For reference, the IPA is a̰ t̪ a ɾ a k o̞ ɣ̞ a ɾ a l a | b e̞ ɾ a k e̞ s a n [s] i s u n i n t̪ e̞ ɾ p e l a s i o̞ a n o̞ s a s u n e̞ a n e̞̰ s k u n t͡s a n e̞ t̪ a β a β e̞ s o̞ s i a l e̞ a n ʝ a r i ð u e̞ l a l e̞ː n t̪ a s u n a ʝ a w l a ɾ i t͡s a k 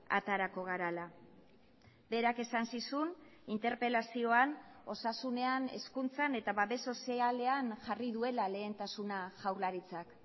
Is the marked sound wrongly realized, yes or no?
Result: no